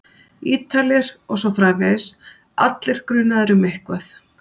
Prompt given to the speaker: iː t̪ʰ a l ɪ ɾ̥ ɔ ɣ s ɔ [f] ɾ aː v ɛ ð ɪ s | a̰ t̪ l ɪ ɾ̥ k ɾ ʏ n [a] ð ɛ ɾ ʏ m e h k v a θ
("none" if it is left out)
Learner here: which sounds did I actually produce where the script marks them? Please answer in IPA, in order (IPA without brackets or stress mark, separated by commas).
f, a